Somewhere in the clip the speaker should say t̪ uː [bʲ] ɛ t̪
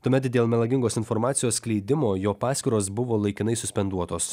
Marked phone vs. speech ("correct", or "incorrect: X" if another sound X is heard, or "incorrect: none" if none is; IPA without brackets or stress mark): incorrect: mʲ